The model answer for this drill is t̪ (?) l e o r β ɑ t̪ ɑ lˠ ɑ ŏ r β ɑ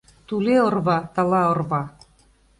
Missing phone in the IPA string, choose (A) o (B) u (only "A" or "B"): B